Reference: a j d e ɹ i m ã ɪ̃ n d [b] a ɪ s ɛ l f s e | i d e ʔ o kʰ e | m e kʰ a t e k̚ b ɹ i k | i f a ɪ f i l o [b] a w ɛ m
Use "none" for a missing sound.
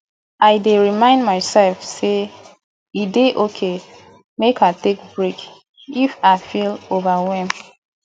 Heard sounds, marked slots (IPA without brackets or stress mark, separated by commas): m, v